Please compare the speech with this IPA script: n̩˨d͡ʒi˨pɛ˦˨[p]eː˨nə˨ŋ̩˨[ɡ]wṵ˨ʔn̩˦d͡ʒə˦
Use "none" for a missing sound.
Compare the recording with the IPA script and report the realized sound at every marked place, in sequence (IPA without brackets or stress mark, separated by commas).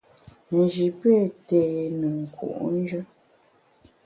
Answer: t, k